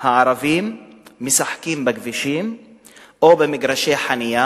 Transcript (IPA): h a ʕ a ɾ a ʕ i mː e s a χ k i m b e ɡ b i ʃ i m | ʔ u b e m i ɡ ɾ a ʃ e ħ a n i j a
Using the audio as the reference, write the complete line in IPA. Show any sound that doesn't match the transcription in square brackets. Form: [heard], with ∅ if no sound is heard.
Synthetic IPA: h a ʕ a ɾ a [v] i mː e s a [ħ] k i m b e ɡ [v] i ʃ i m | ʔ [o] b e m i ɡ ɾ a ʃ e ħ a n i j a